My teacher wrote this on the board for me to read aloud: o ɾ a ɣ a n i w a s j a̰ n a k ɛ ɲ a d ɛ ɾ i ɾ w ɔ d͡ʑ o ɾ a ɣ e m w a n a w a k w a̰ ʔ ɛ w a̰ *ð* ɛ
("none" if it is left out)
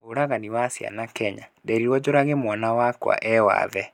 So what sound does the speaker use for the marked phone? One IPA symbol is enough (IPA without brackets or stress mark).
ð